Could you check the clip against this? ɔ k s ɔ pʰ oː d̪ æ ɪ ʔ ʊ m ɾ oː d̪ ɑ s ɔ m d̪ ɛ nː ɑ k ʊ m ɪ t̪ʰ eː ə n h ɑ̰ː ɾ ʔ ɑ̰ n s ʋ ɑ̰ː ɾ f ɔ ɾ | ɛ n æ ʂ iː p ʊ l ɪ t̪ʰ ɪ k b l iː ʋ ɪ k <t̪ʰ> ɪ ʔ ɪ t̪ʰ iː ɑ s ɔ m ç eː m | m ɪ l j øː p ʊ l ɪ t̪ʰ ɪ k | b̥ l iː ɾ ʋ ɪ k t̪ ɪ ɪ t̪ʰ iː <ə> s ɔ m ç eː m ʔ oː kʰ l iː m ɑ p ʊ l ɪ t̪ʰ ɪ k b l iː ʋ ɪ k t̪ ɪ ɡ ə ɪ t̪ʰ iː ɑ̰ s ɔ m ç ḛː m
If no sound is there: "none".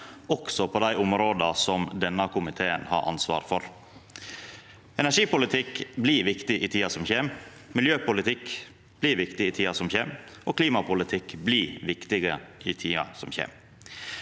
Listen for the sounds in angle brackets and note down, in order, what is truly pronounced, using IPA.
t̪, ɑ

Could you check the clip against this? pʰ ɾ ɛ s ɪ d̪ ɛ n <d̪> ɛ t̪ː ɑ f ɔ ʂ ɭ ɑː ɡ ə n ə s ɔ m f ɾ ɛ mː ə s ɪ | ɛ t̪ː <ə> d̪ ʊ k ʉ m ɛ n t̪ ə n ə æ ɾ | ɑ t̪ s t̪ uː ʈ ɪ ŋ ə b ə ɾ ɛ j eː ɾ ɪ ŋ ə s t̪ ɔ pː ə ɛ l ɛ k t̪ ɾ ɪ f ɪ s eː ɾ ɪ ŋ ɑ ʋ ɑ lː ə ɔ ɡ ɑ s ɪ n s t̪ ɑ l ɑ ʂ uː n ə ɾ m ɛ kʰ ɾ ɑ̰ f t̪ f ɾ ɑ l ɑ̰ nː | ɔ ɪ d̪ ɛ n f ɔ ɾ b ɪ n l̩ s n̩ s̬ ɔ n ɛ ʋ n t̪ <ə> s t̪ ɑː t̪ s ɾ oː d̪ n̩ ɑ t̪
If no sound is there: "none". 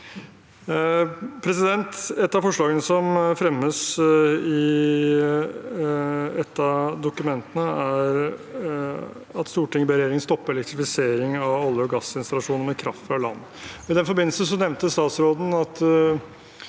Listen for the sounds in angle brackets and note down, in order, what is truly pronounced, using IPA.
t̪, ɑ, ə

